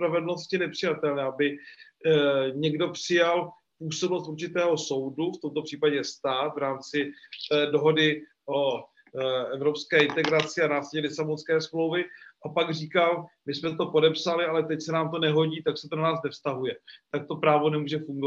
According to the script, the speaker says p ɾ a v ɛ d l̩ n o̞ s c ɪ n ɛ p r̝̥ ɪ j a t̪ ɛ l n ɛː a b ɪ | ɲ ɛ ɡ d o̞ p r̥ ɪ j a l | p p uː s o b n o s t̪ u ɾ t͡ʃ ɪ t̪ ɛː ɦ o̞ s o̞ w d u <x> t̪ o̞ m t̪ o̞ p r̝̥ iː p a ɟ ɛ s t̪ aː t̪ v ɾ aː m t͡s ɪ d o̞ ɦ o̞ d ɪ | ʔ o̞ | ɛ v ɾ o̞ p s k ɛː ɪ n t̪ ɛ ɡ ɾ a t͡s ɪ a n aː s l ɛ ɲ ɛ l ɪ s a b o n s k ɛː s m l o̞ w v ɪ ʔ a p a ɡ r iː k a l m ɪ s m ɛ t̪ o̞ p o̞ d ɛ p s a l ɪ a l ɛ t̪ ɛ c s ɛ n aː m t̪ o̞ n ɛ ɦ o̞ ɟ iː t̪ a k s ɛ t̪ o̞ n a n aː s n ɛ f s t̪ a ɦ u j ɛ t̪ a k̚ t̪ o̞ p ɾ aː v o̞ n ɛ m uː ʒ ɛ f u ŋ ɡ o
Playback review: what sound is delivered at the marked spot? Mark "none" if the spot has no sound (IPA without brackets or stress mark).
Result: f